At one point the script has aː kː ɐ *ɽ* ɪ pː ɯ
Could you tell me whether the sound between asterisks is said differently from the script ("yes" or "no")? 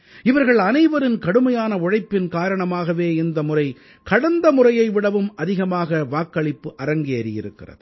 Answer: yes